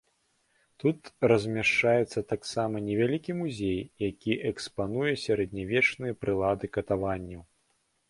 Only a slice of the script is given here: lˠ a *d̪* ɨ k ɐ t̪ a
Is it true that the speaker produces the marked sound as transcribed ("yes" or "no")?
yes